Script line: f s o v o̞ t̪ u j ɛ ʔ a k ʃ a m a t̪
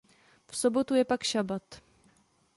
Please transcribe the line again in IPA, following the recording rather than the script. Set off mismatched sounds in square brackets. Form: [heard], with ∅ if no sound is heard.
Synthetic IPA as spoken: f s o [b] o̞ t̪ u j ɛ [p] a k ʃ a [b] a t̪

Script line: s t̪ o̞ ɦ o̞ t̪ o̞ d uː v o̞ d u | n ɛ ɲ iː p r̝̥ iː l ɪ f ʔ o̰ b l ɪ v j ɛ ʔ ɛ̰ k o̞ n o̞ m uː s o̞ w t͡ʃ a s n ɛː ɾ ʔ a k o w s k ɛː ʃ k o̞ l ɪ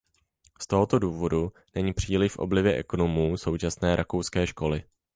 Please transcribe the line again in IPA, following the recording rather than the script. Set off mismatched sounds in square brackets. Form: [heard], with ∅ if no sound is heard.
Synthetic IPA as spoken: s t̪ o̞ ɦ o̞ t̪ o̞ d uː v o̞ d u | n ɛ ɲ iː p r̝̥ iː l ɪ f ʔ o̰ b l ɪ v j ɛ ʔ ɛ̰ k o̞ n o̞ m uː s o̞ w t͡ʃ a s n ɛː ɾ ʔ a k o w s k ɛː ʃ k o̞ l ɪ

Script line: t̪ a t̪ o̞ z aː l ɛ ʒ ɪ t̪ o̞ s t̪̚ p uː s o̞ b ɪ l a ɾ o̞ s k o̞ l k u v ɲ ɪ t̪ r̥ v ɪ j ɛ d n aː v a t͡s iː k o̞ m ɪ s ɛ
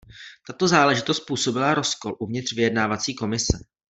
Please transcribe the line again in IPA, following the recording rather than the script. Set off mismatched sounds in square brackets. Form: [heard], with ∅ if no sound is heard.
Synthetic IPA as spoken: t̪ a t̪ o̞ z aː l ɛ ʒ ɪ t̪ o̞ s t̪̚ p uː s o̞ b ɪ l a ɾ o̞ s k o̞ l [ʔ] u v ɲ ɪ t̪ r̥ v ɪ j ɛ d n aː v a t͡s iː k o̞ m ɪ s ɛ

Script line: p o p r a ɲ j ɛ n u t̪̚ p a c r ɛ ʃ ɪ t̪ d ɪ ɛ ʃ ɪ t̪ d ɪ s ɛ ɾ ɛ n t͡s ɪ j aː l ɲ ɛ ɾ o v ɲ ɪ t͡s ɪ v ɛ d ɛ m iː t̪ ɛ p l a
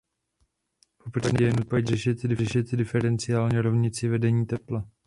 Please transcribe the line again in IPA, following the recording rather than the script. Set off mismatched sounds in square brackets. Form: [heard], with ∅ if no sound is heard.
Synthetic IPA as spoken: p o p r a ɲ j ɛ n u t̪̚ p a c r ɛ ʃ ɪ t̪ d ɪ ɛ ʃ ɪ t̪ d ɪ [f] ɛ ɾ ɛ n t͡s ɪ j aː l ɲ ɛ ɾ o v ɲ ɪ t͡s ɪ v ɛ d ɛ [ɲ] iː t̪ ɛ p l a

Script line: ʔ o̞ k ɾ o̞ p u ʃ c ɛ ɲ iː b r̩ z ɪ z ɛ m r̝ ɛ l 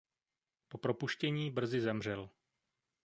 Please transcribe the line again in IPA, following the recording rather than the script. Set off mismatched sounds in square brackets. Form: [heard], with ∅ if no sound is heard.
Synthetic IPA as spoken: [p] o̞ [p] ɾ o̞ p u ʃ c ɛ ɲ iː b r̩ z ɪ z ɛ m r̝ ɛ l

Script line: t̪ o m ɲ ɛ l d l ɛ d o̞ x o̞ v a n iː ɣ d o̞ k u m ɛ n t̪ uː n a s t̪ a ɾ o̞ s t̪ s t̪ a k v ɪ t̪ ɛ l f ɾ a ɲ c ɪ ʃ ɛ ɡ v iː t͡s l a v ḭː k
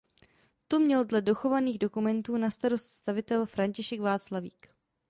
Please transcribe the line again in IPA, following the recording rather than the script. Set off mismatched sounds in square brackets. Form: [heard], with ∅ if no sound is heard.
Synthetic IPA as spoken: t̪ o m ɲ ɛ l d l ɛ d o̞ x o̞ v a n iː ɣ d o̞ k u m ɛ n t̪ uː n a s t̪ a ɾ o̞ s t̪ s t̪ a [∅] v ɪ t̪ ɛ l f ɾ a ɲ c ɪ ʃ ɛ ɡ v [aː] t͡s l a v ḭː k

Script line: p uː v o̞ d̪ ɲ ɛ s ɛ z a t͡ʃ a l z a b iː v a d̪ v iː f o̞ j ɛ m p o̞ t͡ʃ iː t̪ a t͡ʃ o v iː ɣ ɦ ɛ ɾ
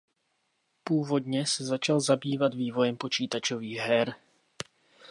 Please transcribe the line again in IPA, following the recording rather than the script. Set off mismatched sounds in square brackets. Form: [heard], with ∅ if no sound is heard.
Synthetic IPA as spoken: p uː v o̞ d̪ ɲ ɛ s ɛ z a t͡ʃ a l z a b iː v a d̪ v iː [v] o̞ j ɛ m p o̞ t͡ʃ iː t̪ a t͡ʃ o v iː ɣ ɦ ɛ ɾ

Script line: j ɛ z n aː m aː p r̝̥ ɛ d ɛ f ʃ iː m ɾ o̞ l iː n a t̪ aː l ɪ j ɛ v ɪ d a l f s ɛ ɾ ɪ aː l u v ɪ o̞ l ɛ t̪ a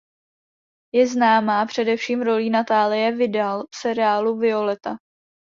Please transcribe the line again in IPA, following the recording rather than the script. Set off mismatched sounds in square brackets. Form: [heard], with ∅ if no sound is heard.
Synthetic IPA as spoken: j ɛ z n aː m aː p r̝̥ ɛ d ɛ f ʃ iː m ɾ o̞ l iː n a t̪ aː l ɪ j ɛ v ɪ d a l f s ɛ ɾ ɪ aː l u v ɪ o̞ l ɛ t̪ a

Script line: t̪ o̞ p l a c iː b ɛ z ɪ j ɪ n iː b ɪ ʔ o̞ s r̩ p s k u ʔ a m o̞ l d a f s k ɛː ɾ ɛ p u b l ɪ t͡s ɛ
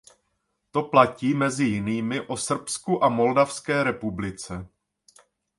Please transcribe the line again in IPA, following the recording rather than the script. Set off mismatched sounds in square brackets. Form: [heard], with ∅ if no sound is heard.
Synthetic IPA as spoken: t̪ o̞ p l a c iː [m] ɛ z ɪ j ɪ n iː [m] ɪ ʔ o̞ s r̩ p s k u ʔ a m o̞ l d a f s k ɛː ɾ ɛ p u b l ɪ t͡s ɛ

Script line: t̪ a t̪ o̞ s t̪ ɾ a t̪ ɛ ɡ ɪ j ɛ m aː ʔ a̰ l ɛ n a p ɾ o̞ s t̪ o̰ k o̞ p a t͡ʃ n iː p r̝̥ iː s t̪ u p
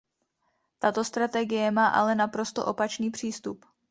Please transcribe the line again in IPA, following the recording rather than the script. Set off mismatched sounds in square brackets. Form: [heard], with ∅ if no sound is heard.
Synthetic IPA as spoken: t̪ a t̪ o̞ s t̪ ɾ a t̪ ɛ ɡ ɪ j ɛ m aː ʔ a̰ l ɛ n a p ɾ o̞ s t̪ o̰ [ʔ] o̞ p a t͡ʃ n iː p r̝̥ iː s t̪ u p

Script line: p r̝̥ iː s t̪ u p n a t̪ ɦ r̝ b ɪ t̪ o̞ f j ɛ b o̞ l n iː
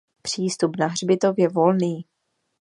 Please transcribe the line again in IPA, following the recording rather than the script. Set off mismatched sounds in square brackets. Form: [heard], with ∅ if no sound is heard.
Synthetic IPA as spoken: p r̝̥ iː s t̪ u p n a [∅] ɦ r̝ b ɪ t̪ o̞ [v] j ɛ [v] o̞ l n iː

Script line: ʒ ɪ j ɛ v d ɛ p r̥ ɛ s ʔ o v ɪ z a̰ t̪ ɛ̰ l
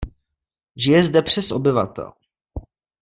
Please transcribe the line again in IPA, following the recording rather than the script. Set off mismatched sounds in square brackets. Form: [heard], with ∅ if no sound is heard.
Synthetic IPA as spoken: ʒ ɪ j ɛ [z] d ɛ p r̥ ɛ s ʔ o [b] ɪ [v] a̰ t̪ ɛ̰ l

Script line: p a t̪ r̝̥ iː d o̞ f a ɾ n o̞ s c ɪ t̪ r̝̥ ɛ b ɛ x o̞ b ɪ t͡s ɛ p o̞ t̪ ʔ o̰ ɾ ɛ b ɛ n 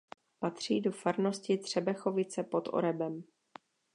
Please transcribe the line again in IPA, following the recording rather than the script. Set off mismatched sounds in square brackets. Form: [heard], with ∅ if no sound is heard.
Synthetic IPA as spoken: p a t̪ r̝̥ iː d o̞ f a ɾ n o̞ s c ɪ t̪ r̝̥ ɛ b ɛ x o̞ [v] ɪ t͡s ɛ p o̞ t̪ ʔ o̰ ɾ ɛ b ɛ [m]

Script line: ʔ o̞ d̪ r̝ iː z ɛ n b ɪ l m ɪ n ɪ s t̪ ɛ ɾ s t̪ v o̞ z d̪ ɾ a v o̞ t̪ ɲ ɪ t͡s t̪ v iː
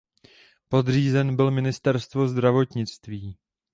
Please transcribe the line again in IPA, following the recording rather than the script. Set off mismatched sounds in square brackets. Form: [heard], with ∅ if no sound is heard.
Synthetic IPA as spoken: [p] o̞ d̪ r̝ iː z ɛ n b ɪ l m ɪ n ɪ s t̪ ɛ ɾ s t̪ v o̞ z d̪ ɾ a v o̞ t̪ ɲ ɪ t͡s t̪ v iː

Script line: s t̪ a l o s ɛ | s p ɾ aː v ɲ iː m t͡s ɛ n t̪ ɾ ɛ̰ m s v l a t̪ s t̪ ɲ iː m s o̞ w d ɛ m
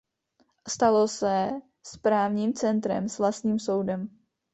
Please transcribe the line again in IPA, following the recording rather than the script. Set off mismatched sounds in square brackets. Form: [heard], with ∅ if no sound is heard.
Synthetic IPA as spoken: s t̪ a l o s ɛ | s p ɾ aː v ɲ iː m t͡s ɛ n t̪ ɾ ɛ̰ m s v l a [∅] s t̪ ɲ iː m s o̞ w d ɛ m

